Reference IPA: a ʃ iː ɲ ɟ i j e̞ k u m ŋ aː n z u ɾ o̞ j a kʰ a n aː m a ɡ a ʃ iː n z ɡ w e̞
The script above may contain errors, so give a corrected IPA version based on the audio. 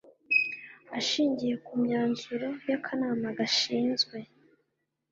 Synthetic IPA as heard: a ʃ iː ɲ ɟ i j e̞ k u m ɲ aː n z u ɾ o̞ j a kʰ a n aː m a ɡ a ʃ iː n z ɡ w e̞